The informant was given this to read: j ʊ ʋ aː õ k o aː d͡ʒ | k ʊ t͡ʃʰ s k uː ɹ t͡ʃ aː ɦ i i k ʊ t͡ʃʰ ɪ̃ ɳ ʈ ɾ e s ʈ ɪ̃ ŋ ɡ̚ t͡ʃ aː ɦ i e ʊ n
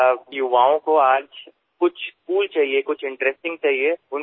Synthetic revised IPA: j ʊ ʋ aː õ k o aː d͡ʒ | k ʊ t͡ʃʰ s k uː l t͡ʃ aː ɦ i e k ʊ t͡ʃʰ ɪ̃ ɳ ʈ ɾ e s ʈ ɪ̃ ŋ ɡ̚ t͡ʃ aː ɦ i e ʊ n